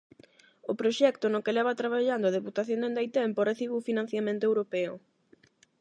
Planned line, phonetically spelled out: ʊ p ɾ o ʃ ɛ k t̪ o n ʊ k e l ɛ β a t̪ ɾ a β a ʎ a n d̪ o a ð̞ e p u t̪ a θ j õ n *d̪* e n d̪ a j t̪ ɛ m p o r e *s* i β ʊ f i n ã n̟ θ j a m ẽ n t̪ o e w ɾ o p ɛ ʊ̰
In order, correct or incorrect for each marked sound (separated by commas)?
correct, incorrect